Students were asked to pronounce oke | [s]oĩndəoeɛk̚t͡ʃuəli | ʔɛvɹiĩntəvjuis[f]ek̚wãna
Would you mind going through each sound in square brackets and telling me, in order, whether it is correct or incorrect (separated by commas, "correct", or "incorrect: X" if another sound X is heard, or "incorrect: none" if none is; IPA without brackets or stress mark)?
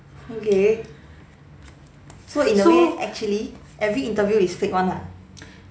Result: correct, correct